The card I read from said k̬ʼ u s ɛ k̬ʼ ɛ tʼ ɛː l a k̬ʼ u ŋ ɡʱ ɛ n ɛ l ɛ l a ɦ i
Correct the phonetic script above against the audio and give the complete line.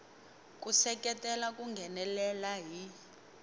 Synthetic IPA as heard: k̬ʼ u s ɛ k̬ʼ ɛ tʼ ɛ l a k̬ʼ u ŋ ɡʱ ɛ n ɛ l ɛ l a ɦ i